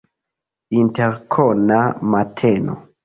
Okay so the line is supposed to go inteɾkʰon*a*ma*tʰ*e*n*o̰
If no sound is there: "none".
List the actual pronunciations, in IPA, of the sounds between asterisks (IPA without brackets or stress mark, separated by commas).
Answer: a, tʰ, n